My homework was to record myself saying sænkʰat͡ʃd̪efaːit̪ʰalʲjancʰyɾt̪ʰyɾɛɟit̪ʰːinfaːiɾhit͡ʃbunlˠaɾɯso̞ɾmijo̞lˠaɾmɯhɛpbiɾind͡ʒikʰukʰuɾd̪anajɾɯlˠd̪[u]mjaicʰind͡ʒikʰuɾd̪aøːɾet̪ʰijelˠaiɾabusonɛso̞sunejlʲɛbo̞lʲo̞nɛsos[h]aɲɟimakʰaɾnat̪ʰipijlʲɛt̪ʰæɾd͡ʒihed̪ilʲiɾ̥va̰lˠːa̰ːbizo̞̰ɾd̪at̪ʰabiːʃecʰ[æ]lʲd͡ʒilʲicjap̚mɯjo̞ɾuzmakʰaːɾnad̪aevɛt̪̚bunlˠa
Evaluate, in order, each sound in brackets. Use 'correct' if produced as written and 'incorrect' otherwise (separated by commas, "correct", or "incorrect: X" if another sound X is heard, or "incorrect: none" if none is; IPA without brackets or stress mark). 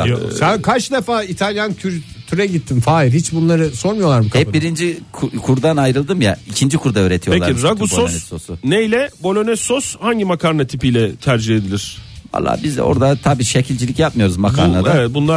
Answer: incorrect: ɯ, correct, incorrect: i